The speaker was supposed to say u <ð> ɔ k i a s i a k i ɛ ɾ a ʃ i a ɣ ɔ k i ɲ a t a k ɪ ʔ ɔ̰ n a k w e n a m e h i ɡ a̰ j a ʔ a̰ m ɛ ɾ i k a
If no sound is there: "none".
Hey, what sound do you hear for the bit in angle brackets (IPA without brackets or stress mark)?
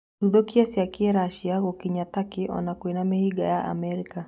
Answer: ð